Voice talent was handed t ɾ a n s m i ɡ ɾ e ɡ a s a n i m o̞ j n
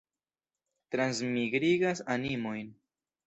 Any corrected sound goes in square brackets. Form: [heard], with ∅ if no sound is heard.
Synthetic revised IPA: t ɾ a n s m i ɡ ɾ [i] ɡ a s a n i m o̞ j n